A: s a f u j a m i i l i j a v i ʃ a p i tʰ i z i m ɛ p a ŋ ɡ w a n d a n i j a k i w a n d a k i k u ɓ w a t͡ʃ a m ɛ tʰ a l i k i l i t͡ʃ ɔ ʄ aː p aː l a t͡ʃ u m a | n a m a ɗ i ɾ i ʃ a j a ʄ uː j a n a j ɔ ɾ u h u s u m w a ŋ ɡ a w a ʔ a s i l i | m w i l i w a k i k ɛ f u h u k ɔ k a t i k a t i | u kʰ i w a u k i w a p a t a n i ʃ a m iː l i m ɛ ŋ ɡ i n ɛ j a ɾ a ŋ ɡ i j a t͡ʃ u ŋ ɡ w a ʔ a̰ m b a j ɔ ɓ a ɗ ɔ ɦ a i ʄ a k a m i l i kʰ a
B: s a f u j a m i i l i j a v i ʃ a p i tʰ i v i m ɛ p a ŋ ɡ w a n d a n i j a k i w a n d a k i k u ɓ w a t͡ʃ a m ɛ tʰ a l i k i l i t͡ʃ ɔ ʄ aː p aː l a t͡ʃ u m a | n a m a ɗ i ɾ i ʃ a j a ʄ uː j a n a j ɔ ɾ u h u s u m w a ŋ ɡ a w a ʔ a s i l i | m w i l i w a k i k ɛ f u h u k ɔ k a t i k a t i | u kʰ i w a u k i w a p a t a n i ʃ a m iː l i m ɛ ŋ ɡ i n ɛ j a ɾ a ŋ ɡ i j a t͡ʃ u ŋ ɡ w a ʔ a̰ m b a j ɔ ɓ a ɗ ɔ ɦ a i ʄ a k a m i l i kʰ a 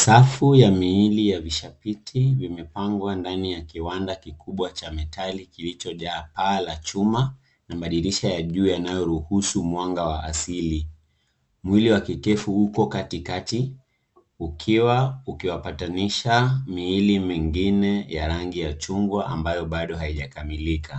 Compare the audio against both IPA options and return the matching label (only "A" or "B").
B